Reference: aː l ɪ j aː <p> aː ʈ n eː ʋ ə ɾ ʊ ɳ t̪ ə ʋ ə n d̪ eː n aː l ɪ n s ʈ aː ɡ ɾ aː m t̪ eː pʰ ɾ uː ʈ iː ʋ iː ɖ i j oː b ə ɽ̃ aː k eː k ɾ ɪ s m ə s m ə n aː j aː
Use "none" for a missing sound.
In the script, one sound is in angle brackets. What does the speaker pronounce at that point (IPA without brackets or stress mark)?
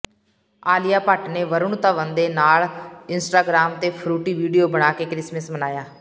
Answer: p